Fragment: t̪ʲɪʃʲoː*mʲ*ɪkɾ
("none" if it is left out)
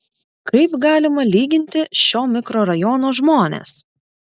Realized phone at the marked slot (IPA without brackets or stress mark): mʲ